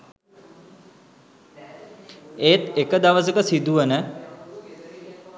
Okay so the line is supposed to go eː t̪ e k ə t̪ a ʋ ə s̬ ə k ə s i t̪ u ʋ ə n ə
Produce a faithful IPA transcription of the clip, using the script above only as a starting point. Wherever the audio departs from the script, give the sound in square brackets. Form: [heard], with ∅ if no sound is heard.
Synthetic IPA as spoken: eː t̪ e k ə [d̪] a ʋ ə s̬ ə k ə s i [d̪] u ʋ ə n ə

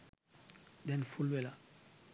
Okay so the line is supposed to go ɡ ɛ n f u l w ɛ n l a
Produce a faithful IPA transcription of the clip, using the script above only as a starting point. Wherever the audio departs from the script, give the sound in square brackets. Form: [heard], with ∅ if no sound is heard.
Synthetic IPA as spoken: [d] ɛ n f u l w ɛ [∅] l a

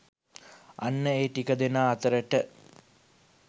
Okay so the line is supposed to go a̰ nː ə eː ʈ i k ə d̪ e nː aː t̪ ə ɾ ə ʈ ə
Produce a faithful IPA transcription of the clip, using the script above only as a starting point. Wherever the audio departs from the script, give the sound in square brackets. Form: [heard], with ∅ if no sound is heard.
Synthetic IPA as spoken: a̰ nː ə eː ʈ i k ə d̪ e [n] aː t̪ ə ɾ ə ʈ ə

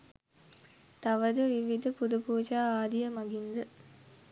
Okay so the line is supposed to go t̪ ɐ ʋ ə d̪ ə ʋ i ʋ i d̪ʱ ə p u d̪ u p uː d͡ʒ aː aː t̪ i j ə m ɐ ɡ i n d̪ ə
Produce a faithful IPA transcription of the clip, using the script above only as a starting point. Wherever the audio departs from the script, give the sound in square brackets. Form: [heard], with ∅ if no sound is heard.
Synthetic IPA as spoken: t̪ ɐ ʋ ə d̪ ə ʋ i ʋ i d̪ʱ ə p u d̪ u p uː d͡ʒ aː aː [d̪] i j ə m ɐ ɡ i n d̪ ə

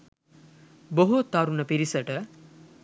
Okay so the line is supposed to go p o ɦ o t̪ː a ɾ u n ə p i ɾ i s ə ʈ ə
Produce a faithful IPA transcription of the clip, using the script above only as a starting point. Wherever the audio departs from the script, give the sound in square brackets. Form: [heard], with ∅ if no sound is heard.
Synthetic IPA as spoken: [b] o ɦ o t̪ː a ɾ u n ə p i ɾ i s ə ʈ ə

